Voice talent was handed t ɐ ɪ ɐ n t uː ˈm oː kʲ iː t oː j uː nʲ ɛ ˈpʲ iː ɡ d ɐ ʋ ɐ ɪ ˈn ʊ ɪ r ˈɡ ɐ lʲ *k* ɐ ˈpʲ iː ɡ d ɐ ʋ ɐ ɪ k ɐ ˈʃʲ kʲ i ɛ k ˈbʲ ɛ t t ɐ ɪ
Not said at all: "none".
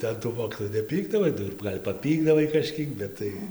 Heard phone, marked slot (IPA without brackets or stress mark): p